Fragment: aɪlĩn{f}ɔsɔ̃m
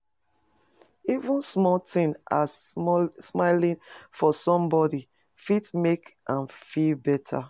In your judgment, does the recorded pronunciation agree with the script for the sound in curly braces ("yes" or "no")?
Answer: yes